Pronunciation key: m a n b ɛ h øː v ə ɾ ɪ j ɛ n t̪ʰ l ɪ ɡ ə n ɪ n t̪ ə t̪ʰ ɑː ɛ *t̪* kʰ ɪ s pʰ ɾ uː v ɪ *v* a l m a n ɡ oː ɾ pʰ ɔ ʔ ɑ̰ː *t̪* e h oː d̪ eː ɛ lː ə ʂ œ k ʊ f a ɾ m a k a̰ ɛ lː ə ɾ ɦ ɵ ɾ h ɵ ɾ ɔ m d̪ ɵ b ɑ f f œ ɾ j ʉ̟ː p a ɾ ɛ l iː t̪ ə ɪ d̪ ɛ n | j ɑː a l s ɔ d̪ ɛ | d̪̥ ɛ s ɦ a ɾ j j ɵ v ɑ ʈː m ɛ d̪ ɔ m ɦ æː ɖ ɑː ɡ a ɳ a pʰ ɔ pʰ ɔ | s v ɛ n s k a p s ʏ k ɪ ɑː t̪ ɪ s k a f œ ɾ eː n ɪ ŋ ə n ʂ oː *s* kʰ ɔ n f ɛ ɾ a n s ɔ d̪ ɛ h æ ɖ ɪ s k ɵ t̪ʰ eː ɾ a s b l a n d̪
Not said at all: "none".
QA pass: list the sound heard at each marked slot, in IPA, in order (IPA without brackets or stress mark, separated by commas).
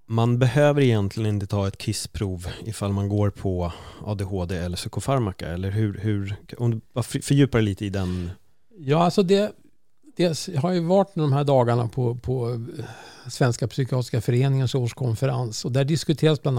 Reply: t̪, f, d̪, ʂ